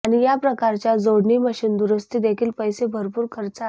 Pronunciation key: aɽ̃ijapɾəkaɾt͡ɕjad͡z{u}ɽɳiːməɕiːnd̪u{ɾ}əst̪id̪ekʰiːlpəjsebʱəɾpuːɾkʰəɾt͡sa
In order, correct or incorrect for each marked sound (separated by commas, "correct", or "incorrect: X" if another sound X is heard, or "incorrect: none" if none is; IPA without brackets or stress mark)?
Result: incorrect: o, correct